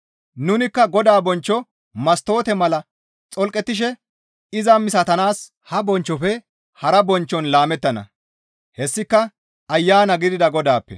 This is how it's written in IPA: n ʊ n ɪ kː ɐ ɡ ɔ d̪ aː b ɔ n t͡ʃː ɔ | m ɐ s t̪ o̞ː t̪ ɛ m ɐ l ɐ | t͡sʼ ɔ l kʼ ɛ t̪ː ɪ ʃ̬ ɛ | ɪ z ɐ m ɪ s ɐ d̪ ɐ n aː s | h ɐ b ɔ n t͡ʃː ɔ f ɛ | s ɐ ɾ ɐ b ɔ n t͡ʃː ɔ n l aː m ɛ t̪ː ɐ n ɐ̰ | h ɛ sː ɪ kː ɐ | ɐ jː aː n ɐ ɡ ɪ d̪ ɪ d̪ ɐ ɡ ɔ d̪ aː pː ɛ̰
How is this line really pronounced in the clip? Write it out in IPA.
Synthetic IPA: n ʊ n ɪ kː ɐ ɡ ɔ d̪ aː b ɔ n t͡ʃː ɔ | m ɐ s t̪ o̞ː t̪ ɛ m ɐ l ɐ | t͡sʼ ɔ l kʼ ɛ t̪ː ɪ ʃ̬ ɛ | ɪ z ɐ m ɪ s ɐ t̪ ɐ n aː s | h ɐ b ɔ n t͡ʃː ɔ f ɛ | h ɐ ɾ ɐ b ɔ n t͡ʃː ɔ n l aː m ɛ t̪ː ɐ n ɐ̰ | h ɛ sː ɪ kː ɐ | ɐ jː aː n ɐ ɡ ɪ d̪ ɪ d̪ ɐ ɡ ɔ d̪ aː pː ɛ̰